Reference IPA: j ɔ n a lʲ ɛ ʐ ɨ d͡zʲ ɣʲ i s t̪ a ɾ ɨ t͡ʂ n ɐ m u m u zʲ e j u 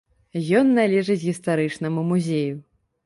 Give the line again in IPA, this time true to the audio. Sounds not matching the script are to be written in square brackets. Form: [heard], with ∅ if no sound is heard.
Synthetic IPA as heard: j ɔ [nː] a lʲ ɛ ʐ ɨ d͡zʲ ɣʲ i s t̪ a ɾ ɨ t͡ʂ n ɐ m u m u zʲ e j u

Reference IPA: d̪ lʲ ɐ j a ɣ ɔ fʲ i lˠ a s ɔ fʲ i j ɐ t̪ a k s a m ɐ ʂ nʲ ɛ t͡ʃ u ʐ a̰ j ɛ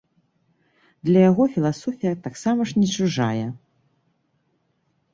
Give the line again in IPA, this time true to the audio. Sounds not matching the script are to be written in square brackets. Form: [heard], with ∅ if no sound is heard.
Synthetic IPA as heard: d̪ lʲ ɐ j a ɣ ɔ fʲ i lˠ a s ɔ fʲ i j ɐ t̪ a k s a m ɐ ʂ nʲ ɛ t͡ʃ u ʐ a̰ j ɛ

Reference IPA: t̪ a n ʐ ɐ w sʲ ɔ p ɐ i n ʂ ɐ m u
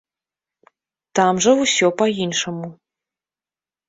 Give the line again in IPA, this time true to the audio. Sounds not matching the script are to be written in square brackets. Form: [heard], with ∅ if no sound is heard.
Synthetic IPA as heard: t̪ a [m] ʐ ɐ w sʲ ɔ p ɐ i n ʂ ɐ m u

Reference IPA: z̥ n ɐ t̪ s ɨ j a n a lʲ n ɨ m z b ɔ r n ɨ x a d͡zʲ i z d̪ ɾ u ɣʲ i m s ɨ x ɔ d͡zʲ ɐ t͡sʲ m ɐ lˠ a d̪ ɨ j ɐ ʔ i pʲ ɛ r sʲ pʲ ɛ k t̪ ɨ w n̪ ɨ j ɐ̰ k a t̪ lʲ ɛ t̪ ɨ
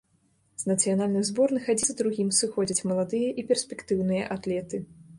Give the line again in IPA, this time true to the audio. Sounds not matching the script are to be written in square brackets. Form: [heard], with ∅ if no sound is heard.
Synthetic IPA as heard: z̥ n ɐ t̪ s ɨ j a n a lʲ n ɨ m z b ɔ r n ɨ x a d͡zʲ i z d̪ ɾ u ɣʲ i m s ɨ x ɔ d͡zʲ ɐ t͡sʲ m ɐ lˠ a d̪ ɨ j ɐ ʔ i pʲ ɛ r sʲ pʲ ɛ k t̪ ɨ w n̪ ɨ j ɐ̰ [ʔ] a t̪ lʲ ɛ t̪ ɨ

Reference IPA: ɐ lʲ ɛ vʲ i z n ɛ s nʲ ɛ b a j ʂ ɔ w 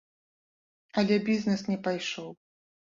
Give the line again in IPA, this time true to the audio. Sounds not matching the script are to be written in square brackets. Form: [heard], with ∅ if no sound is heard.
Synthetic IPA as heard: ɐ lʲ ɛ [bʲ] i z n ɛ s nʲ ɛ [p] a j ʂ ɔ w

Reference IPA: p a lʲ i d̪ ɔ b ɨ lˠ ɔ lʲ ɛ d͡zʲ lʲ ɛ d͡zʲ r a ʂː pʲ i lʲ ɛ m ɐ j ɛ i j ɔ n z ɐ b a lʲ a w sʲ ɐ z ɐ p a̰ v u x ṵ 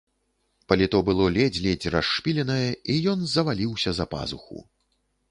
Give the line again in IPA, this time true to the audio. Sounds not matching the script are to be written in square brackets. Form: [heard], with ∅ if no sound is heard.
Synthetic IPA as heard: p [ɐ] lʲ i [t̪] ɔ b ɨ lˠ ɔ lʲ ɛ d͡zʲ lʲ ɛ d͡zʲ r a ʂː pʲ i lʲ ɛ [n] ɐ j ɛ i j ɔ n z ɐ [v] a lʲ [i] w sʲ ɐ z ɐ p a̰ [z] u x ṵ

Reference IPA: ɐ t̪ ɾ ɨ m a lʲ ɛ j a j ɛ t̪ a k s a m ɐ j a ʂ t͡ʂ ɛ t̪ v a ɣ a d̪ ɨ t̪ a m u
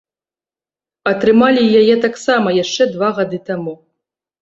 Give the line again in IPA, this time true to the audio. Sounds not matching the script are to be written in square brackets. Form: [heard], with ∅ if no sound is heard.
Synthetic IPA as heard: ɐ t̪ ɾ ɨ m a lʲ [i] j a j ɛ t̪ a k s a m ɐ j a ʂ t͡ʂ ɛ [d̪] v a ɣ a d̪ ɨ t̪ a m u

